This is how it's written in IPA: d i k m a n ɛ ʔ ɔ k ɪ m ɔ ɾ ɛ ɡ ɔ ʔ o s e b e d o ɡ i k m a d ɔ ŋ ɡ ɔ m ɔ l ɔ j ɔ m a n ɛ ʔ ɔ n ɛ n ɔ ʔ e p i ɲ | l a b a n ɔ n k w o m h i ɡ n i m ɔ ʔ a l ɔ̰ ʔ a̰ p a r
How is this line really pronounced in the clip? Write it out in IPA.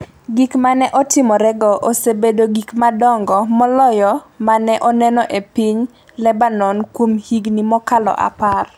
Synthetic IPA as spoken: ɡ i k m a n ɛ ʔ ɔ t ɪ m ɔ ɾ ɛ ɡ ɔ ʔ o s e b e d o ɡ i k m a d ɔ ŋ ɡ ɔ m ɔ l ɔ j ɔ m a n ɛ ʔ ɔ n ɛ n ɔ ʔ e p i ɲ | l ɛ b a n ɔ n k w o m h i ɡ n i m ɔ k a l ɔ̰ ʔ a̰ p a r